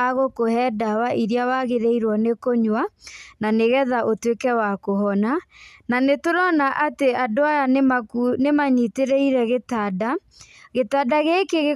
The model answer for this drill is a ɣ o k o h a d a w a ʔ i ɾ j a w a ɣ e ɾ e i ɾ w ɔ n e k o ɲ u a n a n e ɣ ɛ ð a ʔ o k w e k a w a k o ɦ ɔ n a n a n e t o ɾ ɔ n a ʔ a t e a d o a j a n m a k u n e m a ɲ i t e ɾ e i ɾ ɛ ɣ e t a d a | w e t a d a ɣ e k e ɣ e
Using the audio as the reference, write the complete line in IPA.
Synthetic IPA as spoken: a ɣ o k o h ɛ d a w a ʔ i ɾ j a w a ɣ e ɾ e i ɾ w ɔ n e k o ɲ w a n a n e ɣ ɛ ð a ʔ o t w e k ɛ w a k o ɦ ɔ n a n a n e t o ɾ ɔ n a ʔ a t e a d o a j a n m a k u n e m a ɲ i t e ɾ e i ɾ ɛ ɣ e t a d a | ɣ e t a d a ɣ e k e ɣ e